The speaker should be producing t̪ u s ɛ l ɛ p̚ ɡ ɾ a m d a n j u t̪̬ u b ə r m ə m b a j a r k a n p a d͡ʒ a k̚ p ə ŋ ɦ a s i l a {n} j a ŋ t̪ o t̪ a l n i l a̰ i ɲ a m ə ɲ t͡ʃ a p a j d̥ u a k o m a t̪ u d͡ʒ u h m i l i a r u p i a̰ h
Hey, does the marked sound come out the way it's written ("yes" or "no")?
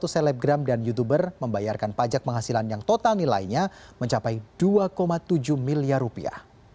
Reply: yes